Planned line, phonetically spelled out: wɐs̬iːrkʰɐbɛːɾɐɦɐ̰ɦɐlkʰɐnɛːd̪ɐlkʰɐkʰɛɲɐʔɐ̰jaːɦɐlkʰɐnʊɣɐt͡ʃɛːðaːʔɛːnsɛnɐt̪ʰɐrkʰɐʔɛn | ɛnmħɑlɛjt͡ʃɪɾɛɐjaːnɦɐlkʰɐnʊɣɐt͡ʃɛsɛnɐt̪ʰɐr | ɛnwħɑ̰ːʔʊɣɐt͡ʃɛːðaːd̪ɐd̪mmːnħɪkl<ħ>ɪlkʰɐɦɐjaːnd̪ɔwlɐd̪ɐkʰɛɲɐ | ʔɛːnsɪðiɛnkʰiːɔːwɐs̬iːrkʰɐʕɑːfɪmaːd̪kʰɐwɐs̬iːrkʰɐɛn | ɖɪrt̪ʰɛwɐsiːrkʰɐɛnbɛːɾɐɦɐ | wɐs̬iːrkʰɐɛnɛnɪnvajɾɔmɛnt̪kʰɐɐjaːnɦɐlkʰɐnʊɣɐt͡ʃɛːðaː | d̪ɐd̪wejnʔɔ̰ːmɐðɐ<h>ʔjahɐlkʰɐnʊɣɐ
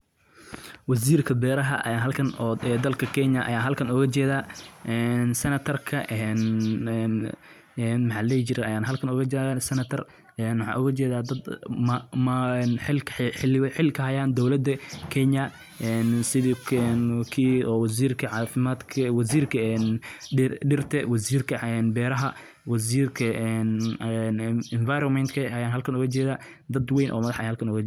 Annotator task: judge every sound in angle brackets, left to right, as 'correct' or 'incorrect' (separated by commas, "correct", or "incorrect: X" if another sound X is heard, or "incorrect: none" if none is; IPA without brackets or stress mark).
correct, incorrect: ħ